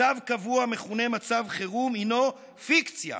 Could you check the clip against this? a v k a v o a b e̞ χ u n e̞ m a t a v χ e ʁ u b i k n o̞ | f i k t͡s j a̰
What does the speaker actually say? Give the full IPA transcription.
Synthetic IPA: a v k a v u a m e̞ χ u n e̞ m a t͡s a v χ e ʁ u m i n o̞ | f i k t͡s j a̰

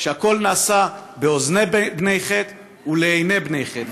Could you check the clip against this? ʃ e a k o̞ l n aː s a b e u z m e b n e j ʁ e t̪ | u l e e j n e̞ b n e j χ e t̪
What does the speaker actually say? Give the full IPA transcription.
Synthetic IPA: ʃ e a k o̞ l n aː s a b e o z n e b n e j χ e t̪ | u l e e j n e̞ b n e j χ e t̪

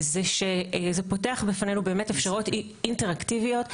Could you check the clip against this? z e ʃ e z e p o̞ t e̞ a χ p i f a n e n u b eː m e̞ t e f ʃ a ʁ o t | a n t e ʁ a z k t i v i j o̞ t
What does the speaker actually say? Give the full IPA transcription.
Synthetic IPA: z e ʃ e z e p o̞ t e̞ a χ b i f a n e n u b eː m e̞ t e f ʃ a ʁ o t | i n t e ʁ a k t i v i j o̞ t

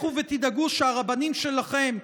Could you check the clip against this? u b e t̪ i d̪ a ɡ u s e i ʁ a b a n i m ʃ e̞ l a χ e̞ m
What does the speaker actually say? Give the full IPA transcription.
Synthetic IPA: u v e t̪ i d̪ a ɡ u ʃ e a ʁ a b a n i m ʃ e̞ l a χ e̞ m

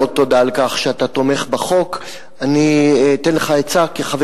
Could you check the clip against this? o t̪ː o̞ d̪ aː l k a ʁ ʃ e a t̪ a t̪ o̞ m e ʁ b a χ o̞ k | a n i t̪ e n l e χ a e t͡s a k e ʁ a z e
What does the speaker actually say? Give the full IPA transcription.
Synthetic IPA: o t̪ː o̞ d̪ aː l k a χ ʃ e a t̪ a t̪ o̞ m e χ b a χ o̞ k | a n i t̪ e n l e χ a e t͡s a k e χ a v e

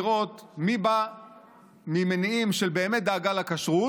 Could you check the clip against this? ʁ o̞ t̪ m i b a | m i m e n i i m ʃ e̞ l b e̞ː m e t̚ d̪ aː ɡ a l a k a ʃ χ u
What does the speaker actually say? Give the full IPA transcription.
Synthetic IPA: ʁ o̞ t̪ m i b a | m i m e n i i m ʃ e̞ l b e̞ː m e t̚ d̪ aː ɡ a l a k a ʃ ʁ u

